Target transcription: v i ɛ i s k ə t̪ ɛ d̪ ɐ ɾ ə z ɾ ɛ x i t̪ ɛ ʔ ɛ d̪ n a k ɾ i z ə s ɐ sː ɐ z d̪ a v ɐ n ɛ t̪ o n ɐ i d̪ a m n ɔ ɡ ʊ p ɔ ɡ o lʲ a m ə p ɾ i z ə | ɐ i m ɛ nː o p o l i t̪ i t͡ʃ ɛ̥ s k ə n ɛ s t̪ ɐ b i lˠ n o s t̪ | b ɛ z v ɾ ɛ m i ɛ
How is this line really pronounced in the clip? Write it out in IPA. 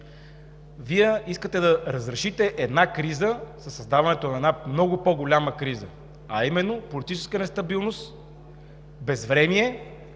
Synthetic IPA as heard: v i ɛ i s k ə t̪ ɛ d̪ ɐ ɾ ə z ɾ ɛ ʃ i t̪ ɛ ʔ ɛ d̪ n a k ɾ i z ə s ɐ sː ɐ z d̪ a v ɐ n ɛ t̪ o n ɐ ɛ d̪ a m n ɔ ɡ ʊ p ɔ ɡ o lʲ a m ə k ɾ i z ə | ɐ i m ɛ nː o p o l i t̪ i t͡ʃ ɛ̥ s k ə n ɛ s t̪ ɐ b i lˠ n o s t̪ | b ɛ z v ɾ ɛ m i ɛ